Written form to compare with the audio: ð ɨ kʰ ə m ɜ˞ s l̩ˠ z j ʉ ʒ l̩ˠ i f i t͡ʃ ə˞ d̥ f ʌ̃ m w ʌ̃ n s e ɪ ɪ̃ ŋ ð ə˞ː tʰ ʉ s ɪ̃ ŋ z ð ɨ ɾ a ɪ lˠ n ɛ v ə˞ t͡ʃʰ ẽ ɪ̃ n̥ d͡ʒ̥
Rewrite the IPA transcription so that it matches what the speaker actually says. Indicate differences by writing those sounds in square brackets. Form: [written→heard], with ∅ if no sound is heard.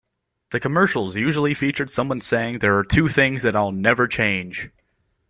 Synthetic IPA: ð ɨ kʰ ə m ɜ˞ [s→ʃ] l̩ˠ z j ʉ ʒ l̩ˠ i f i t͡ʃ ə˞ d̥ [f→s] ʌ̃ m w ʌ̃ n s e ɪ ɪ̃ ŋ ð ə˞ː tʰ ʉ [s→θ] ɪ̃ ŋ z ð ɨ ɾ a ɪ lˠ n ɛ v ə˞ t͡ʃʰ ẽ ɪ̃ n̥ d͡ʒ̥